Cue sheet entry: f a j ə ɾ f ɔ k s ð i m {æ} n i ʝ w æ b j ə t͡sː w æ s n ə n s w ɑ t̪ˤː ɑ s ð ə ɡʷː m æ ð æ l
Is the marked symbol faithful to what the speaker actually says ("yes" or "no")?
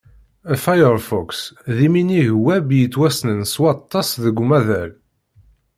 no